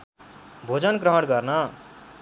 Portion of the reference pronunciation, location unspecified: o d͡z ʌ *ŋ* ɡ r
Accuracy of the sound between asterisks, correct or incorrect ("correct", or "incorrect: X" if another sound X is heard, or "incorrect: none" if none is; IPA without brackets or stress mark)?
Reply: incorrect: n